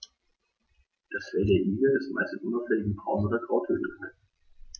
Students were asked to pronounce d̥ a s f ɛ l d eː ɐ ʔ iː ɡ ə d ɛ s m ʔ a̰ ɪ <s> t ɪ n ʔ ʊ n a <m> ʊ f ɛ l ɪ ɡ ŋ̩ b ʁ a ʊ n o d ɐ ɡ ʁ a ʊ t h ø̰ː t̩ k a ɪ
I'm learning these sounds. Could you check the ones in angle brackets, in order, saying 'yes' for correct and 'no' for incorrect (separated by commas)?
yes, no